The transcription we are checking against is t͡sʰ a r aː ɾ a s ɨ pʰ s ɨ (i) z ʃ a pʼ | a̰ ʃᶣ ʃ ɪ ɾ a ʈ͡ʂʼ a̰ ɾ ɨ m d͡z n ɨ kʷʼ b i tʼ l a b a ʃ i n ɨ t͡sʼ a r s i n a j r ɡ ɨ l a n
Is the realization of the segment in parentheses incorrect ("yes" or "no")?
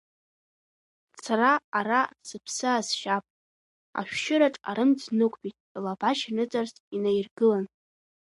yes